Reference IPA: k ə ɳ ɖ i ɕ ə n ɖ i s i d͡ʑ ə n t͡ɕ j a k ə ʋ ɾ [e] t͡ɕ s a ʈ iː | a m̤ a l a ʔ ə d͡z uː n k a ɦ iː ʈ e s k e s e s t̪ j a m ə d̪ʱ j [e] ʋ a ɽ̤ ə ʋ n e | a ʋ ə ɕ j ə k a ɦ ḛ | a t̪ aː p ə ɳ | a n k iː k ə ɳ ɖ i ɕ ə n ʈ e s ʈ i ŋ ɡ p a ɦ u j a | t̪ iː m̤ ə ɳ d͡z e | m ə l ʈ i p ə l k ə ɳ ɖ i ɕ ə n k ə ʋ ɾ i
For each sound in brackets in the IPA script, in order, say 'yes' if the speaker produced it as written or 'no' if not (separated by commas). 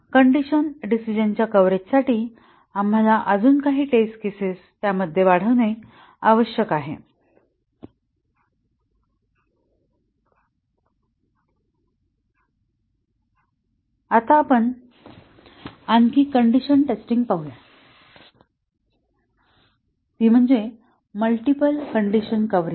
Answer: yes, yes